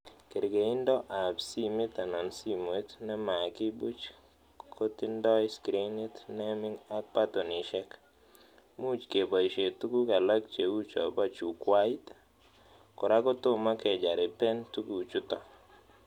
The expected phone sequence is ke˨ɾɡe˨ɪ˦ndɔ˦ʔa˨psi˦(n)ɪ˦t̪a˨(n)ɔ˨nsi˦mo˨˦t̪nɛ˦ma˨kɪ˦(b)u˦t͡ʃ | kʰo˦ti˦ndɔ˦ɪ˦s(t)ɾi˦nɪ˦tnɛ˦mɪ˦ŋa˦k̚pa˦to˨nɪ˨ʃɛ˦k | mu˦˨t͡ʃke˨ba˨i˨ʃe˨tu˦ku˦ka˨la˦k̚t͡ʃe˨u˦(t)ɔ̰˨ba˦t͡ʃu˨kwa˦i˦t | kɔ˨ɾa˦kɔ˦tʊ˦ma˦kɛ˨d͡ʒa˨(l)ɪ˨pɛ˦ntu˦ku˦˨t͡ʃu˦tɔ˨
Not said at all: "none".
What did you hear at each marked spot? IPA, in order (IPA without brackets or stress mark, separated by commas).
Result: m, n, b, k, t͡ʃ, ɾ